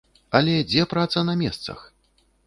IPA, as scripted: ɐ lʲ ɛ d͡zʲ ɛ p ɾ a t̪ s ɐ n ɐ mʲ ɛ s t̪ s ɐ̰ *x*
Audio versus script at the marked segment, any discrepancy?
no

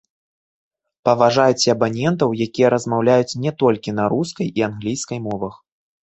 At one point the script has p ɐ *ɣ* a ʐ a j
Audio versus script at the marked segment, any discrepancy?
yes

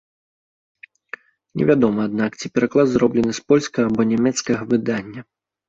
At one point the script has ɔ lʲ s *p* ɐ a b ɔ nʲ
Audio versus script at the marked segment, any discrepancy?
yes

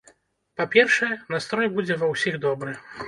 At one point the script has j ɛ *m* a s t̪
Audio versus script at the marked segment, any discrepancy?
yes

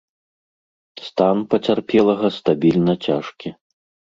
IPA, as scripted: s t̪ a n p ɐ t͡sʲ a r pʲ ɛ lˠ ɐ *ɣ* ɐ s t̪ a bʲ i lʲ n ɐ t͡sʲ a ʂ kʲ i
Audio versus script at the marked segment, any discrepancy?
no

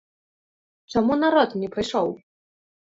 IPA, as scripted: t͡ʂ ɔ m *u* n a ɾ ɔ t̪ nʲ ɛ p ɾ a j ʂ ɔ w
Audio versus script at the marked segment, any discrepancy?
no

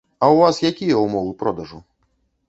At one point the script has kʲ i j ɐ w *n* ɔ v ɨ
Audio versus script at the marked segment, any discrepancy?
yes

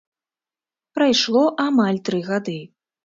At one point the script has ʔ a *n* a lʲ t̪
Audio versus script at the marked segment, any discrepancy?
yes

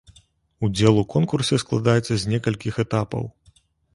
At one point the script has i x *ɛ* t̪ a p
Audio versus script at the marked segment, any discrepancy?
no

